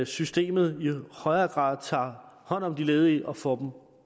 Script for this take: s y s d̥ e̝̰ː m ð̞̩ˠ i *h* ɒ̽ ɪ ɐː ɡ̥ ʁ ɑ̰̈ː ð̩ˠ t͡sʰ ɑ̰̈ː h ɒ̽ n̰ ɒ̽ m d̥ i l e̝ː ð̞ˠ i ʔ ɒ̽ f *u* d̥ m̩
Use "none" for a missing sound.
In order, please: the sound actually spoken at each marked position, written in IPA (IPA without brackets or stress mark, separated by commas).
h, ɒ